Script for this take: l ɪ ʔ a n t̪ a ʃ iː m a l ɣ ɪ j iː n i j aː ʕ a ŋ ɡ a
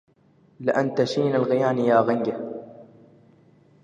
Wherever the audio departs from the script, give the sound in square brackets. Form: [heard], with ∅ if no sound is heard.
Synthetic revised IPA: l ɪ ʔ a n t̪ a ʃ iː [n] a l ɣ ɪ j [aː] n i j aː [ɣ] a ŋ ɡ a